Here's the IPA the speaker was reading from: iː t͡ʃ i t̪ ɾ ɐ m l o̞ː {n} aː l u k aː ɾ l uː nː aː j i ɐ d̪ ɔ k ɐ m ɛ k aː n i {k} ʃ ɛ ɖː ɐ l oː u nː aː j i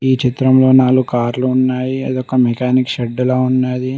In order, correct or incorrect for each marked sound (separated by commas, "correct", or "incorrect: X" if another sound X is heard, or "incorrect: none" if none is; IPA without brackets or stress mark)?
correct, correct